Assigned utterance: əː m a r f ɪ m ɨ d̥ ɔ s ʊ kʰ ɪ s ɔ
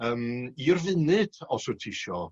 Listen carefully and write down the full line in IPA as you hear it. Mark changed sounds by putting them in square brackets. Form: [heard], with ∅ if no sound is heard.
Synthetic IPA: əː m [i] r [v] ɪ [n] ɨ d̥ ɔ s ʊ [tʰ] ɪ [ʃ] ɔ